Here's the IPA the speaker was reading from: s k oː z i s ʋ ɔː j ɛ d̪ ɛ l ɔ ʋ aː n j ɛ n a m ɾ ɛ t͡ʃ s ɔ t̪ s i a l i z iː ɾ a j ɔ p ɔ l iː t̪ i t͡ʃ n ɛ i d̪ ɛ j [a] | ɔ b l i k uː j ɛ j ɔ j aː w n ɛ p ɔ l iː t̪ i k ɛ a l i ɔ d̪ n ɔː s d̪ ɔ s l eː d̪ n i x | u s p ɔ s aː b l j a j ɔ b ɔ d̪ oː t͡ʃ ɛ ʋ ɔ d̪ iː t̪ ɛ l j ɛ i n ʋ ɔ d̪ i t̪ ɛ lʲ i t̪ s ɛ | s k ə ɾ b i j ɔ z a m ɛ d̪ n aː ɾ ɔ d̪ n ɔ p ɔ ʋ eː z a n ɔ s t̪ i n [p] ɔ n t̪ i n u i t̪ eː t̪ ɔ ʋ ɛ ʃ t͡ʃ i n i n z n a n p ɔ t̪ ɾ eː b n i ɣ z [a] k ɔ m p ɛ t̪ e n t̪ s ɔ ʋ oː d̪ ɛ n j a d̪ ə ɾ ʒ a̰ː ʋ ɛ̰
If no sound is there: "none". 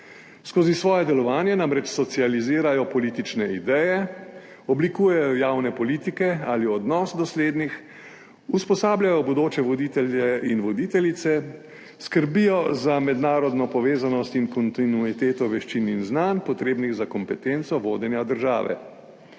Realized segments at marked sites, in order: ɛ, k, a

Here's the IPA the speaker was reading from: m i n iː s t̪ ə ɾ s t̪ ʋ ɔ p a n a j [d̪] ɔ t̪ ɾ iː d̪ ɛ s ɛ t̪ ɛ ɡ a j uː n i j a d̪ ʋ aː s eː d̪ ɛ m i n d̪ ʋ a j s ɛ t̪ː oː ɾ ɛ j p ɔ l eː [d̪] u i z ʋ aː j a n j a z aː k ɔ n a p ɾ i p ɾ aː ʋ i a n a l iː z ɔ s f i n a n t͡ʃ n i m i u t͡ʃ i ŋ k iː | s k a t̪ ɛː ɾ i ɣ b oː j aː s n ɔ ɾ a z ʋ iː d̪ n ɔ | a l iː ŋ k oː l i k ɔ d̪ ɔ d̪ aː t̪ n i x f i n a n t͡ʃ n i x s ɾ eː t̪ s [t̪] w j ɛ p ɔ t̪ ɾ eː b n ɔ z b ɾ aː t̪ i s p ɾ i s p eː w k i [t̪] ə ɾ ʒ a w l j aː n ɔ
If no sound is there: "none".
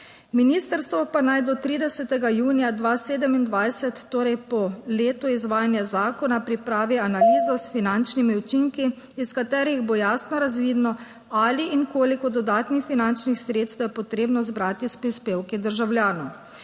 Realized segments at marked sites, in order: d̪, t̪, t̪, d̪

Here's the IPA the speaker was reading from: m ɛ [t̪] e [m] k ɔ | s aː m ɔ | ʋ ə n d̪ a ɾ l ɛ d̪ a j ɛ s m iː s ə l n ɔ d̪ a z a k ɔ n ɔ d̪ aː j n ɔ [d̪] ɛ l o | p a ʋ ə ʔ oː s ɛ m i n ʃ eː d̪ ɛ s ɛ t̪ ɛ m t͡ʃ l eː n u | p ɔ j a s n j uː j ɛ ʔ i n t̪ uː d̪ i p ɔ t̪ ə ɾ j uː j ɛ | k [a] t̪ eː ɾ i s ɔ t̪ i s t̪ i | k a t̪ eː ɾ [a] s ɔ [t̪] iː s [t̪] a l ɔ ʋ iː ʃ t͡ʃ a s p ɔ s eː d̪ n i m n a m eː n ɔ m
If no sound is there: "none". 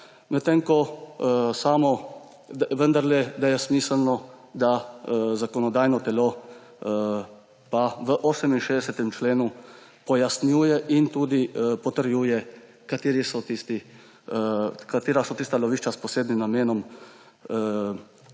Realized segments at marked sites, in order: t̪, ŋ, t̪, a, a, t̪, t̪

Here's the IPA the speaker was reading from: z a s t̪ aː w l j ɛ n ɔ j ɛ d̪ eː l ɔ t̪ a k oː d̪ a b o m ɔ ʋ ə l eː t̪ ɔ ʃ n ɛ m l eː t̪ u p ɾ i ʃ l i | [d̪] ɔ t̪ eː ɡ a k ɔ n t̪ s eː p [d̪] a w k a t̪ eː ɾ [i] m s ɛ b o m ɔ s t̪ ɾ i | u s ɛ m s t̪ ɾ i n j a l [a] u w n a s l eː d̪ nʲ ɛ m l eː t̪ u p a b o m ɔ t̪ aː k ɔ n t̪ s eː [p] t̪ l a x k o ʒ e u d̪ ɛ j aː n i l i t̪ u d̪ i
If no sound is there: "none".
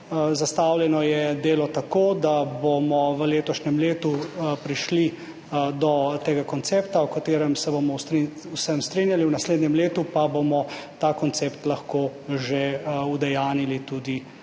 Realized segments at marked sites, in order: d̪, t̪, ɛ, i, p

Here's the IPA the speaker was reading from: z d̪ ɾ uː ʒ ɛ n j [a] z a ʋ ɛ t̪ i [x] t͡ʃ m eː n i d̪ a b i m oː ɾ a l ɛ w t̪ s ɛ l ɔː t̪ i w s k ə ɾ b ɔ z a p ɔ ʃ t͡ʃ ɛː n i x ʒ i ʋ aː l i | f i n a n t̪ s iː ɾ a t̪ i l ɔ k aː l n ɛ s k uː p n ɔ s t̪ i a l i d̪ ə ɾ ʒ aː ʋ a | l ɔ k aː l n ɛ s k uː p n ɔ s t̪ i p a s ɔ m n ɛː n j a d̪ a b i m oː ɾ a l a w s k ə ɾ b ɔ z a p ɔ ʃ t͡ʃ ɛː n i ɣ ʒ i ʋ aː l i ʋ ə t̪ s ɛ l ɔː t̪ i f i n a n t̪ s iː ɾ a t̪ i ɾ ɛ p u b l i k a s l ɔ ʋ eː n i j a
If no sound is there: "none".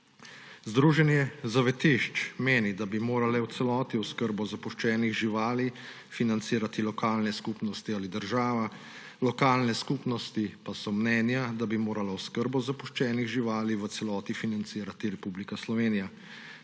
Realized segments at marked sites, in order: ɛ, ʃ

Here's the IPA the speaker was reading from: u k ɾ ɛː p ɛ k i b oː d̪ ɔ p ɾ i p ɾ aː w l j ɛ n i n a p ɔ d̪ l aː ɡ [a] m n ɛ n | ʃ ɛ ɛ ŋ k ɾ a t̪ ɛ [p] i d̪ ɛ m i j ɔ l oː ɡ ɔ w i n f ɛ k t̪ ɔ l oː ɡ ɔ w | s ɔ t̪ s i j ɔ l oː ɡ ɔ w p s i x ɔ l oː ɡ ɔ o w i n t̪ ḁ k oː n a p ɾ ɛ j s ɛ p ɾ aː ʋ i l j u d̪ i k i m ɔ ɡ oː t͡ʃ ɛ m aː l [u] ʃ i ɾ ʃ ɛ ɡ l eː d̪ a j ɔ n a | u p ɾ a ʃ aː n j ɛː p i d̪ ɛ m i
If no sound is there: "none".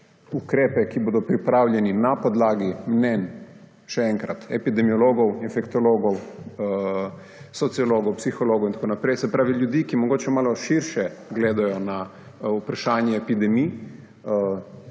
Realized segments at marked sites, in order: i, p, ɔ

